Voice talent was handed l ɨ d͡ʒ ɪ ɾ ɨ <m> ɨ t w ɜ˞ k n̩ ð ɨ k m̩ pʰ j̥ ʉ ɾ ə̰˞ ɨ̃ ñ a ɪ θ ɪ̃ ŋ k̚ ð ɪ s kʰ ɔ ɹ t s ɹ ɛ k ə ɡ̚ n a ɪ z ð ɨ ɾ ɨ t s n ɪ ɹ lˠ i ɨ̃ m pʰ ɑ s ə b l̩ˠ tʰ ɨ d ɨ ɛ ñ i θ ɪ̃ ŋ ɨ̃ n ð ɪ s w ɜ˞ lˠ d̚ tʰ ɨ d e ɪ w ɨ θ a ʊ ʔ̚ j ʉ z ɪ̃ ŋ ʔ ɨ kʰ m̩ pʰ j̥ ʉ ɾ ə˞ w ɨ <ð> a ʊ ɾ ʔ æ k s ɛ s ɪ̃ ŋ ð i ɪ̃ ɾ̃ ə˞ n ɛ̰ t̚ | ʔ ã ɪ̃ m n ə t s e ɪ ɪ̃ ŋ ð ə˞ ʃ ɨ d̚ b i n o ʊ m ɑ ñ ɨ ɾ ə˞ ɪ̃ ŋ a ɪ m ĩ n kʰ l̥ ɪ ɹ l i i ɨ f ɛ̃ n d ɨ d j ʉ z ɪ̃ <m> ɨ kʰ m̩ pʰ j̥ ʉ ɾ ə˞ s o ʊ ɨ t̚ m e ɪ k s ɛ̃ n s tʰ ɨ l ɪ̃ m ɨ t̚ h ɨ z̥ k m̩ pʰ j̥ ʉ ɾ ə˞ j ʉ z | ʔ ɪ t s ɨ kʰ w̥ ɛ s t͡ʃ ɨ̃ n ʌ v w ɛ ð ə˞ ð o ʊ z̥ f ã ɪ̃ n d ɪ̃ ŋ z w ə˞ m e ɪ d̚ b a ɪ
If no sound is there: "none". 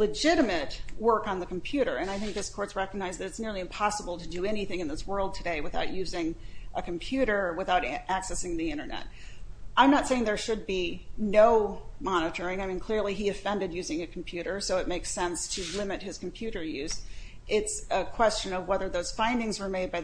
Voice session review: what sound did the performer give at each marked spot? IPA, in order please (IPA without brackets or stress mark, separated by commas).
m, θ, ŋ